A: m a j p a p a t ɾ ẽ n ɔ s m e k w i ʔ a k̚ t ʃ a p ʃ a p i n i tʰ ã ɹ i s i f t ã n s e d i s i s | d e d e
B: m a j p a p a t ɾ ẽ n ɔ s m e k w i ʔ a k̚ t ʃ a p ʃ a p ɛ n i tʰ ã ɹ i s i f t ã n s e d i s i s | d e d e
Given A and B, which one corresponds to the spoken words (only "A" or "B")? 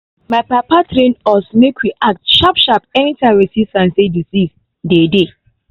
B